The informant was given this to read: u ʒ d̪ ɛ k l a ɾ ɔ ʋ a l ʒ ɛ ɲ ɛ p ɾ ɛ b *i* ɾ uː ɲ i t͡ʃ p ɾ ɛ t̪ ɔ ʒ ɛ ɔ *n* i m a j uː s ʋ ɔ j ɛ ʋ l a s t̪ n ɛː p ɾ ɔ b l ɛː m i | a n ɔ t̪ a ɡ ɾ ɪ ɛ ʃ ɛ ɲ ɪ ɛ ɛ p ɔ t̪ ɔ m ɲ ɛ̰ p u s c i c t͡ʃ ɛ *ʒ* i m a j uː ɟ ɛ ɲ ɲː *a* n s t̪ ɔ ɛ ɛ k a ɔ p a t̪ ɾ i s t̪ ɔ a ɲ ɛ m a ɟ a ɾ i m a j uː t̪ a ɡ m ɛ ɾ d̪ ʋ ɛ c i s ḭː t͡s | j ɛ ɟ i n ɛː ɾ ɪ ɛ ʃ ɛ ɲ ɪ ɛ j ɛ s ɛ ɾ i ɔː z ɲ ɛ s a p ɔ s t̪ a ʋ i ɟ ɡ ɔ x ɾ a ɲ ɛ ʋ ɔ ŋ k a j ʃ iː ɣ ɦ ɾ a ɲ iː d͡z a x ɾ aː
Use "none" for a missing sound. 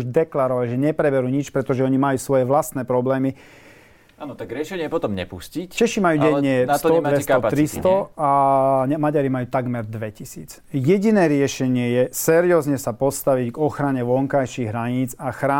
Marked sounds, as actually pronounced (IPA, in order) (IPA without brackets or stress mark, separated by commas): ɛ, ɲ, ʃ, ɛ